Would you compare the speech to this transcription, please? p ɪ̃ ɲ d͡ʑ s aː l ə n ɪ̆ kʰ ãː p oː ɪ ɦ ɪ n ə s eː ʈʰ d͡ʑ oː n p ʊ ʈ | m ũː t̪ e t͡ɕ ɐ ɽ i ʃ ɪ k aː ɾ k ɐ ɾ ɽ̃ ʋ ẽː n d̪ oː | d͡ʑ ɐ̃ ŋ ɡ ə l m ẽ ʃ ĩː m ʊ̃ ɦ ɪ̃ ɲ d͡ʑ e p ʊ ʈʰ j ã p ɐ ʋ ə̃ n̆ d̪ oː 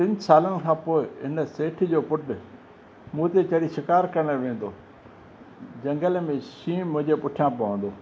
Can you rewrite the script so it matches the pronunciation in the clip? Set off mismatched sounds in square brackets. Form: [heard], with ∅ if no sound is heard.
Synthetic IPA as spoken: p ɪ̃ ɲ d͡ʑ s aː l ə n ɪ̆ kʰ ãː p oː ɪ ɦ ɪ n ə s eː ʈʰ d͡ʑ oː [∅] p ʊ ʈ | m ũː t̪ e t͡ɕ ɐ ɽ i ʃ ɪ k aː ɾ k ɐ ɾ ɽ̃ ʋ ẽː n d̪ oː | d͡ʑ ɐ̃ ŋ ɡ ə l m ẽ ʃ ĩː m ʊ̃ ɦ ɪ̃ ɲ d͡ʑ e p ʊ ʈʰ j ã p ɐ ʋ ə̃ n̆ d̪ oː